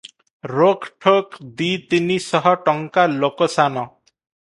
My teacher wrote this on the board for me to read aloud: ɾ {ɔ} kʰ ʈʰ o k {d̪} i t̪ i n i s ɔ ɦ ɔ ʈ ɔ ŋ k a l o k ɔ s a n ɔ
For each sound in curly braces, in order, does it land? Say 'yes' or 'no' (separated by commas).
no, yes